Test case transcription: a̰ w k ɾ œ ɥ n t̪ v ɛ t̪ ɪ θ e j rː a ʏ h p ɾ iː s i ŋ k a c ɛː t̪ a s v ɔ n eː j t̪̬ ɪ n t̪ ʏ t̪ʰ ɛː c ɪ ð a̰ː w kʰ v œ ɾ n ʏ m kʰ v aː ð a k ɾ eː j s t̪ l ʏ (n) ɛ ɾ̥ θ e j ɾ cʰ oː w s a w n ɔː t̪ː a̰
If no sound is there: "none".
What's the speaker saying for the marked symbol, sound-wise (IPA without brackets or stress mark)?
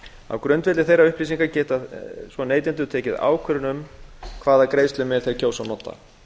m